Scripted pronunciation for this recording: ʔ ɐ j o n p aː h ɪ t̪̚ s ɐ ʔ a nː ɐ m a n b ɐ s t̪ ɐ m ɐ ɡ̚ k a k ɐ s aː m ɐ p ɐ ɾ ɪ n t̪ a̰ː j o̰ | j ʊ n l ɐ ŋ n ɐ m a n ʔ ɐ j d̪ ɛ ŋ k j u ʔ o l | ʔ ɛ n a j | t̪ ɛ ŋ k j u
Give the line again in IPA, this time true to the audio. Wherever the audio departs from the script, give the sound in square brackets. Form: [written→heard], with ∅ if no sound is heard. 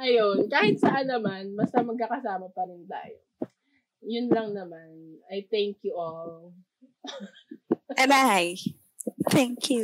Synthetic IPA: ʔ ɐ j o n [p→k] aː h ɪ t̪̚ s ɐ ʔ a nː ɐ m a n b ɐ s t̪ ɐ m ɐ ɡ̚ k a k ɐ s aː m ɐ p ɐ ɾ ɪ n t̪ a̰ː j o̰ | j ʊ n l ɐ ŋ n ɐ m a n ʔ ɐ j [d̪→t̪] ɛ ŋ k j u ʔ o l | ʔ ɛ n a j | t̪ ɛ ŋ k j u